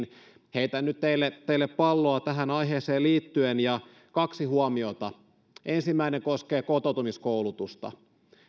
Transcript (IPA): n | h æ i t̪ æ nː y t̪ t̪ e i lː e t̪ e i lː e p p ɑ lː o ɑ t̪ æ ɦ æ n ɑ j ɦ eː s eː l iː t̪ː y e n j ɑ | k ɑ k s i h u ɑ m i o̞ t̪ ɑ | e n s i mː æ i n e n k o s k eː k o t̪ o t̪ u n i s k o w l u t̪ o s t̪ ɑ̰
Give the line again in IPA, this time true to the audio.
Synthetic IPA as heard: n | h e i t̪ æ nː y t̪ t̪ e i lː e t̪ e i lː e p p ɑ lː o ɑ t̪ æ ɦ æ n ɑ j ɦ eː s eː l iː t̪ː y e n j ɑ | k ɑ k s i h u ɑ m i o̞ t̪ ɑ | e n s i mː æ i n e ŋ k o s k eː k o t̪ o t̪ u m i s k o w l u t̪ u s t̪ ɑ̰